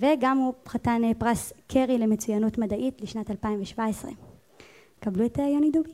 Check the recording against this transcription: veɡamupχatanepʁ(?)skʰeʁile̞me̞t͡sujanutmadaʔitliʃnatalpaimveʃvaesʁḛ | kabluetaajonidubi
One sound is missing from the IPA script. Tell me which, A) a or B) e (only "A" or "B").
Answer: A